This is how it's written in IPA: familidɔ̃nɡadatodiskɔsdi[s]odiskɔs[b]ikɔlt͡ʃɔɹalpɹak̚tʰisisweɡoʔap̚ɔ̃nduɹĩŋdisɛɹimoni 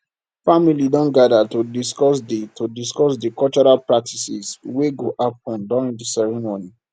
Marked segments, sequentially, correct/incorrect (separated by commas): incorrect, incorrect